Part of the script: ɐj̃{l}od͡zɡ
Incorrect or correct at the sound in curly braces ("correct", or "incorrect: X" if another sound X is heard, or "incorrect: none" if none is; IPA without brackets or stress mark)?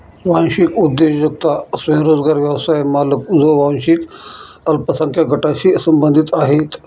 incorrect: ɾ